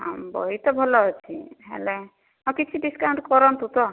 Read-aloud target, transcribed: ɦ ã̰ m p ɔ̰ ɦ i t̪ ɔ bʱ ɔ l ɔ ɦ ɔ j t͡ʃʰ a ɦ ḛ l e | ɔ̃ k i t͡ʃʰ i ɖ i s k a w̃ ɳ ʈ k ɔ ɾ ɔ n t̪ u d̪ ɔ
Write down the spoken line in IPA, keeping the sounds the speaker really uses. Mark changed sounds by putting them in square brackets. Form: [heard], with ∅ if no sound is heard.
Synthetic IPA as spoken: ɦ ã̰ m [b] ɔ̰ ɦ i t̪ ɔ bʱ ɔ l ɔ ɦ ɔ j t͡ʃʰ [i] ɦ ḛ l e | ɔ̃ k i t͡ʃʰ i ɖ i s k a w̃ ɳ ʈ k ɔ ɾ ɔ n t̪ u [t̪] ɔ